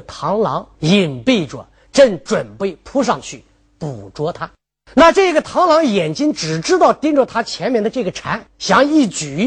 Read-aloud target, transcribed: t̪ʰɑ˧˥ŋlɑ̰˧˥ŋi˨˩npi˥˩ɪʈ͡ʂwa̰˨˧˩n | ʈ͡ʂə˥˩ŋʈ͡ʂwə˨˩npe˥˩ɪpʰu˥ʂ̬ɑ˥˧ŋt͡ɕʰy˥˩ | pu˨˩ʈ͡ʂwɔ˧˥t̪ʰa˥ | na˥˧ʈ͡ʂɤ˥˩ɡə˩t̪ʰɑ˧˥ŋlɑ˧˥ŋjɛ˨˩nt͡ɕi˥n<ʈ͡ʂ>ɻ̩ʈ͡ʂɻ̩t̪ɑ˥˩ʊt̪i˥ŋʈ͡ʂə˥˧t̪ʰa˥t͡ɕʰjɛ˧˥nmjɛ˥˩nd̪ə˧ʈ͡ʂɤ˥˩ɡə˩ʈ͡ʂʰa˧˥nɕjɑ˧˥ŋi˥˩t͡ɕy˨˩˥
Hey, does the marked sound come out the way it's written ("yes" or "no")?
yes